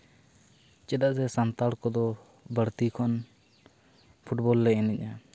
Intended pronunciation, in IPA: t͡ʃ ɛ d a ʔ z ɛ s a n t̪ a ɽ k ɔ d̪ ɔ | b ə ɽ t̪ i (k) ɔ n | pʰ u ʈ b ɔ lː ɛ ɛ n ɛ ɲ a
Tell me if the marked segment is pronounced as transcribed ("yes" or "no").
no